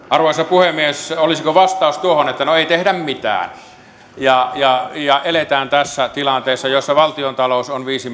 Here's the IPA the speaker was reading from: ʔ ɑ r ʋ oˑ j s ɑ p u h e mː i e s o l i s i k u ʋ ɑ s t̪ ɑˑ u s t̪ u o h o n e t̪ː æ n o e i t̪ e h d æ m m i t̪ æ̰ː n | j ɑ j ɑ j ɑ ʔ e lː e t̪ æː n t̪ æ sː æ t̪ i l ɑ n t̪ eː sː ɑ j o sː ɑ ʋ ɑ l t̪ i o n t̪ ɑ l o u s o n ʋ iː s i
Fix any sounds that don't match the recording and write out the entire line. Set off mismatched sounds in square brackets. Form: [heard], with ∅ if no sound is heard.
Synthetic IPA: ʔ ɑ r ʋ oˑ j s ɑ p u h e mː i e s o l i s i k [o] ʋ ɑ s t̪ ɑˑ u s t̪ u o h o n e t̪ː æ n o e i t̪ e h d æ m m i t̪ æ̰ː n | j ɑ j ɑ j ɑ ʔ e [l] e t̪ æː n t̪ æ sː æ t̪ i l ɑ n t̪ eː sː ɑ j o sː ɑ ʋ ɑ l t̪ i o n t̪ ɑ l o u s o n ʋ iː s i